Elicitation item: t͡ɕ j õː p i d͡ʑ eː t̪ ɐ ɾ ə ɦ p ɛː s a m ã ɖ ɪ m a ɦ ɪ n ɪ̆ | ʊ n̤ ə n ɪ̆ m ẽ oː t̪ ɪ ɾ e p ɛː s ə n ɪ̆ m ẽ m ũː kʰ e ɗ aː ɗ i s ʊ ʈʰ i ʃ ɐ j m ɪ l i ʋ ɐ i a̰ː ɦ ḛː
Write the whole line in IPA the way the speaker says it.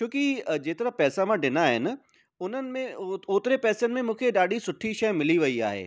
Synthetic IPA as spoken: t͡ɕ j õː k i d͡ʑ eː t̪ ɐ ɾ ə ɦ p ɛː s a m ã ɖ ɪ n a ɦ ɪ n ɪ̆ | ʊ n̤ ə n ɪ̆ m ẽ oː t̪ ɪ ɾ e p ɛː s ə n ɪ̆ m ẽ m ũː kʰ e ɗ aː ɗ i s ʊ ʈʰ i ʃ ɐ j m ɪ l i ʋ ɐ i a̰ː ɦ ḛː